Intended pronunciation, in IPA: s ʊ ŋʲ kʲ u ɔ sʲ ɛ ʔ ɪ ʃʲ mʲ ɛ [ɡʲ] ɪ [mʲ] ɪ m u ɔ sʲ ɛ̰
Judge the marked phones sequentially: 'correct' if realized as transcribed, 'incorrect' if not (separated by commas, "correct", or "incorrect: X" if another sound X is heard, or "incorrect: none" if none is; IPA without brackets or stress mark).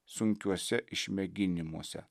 correct, incorrect: nʲ